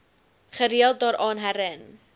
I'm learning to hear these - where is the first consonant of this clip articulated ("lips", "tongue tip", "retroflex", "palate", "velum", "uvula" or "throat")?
uvula